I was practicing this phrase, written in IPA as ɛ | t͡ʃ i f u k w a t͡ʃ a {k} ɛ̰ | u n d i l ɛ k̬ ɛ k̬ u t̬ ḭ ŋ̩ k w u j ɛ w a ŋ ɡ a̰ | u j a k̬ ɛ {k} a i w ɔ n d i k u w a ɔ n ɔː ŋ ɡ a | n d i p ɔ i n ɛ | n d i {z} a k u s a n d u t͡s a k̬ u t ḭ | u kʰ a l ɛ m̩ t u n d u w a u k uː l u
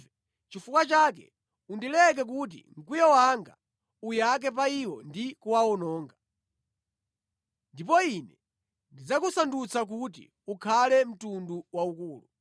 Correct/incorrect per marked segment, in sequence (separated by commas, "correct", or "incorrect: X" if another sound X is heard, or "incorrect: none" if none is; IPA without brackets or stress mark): correct, incorrect: p, incorrect: d͡z